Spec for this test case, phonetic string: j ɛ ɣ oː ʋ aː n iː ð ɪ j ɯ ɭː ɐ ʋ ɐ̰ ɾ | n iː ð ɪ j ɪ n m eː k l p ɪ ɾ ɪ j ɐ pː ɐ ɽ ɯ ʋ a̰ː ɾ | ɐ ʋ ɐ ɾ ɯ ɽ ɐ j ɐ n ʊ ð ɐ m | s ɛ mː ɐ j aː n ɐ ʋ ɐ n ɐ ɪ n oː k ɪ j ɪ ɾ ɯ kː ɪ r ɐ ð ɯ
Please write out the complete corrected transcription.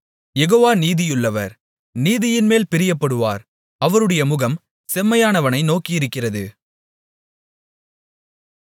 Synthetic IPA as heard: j ɛ ɣ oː ʋ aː n iː ð ɪ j ɯ ɭː ɐ ʋ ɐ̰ ɾ | n iː ð ɪ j ɪ n m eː l p ɪ ɾ ɪ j ɐ pː ɐ ɽ ɯ ʋ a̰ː ɾ | ɐ ʋ ɐ ɾ ɯ ɽ ɐ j ɐ m ʊ ɣ ɐ m | s ɛ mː ɐ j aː n ɐ ʋ ɐ n ɐ ɪ n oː k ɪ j ɪ ɾ ɯ kː ɪ r ɐ ð ɯ